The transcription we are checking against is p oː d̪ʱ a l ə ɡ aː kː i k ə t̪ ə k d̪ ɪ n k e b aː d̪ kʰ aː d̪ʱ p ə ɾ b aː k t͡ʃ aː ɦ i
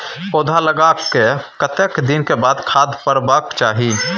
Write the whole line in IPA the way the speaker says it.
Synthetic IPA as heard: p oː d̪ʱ a l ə ɡ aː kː e k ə t̪ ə k d̪ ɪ n k e b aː d̪ kʰ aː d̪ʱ p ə ɾ b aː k t͡ʃ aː ɦ i